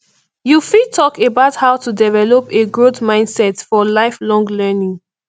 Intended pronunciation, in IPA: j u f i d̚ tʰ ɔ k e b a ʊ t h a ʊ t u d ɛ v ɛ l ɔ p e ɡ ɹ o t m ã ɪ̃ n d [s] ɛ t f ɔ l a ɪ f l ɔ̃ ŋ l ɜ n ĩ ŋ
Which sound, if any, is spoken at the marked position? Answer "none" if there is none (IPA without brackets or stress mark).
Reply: s